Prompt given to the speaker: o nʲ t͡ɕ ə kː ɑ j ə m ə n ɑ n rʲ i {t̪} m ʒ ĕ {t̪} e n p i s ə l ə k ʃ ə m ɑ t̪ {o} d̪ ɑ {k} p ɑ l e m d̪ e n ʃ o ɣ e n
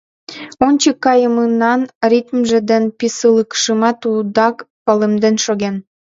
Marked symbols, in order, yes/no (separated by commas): yes, no, no, yes